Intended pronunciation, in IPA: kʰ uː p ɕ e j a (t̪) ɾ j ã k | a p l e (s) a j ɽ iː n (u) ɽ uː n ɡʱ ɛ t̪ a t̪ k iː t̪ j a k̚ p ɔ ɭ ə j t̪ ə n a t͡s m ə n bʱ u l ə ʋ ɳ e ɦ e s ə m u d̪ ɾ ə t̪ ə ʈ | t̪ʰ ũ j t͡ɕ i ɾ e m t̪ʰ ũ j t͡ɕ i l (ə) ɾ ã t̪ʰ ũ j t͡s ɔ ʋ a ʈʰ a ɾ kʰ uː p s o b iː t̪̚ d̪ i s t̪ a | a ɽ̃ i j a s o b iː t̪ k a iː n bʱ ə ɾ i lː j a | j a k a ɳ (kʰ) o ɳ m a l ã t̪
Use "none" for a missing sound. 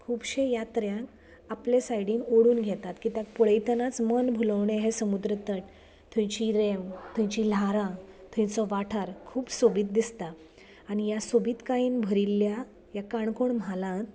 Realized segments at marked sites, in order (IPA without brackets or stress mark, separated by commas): t̪, s, o, a, k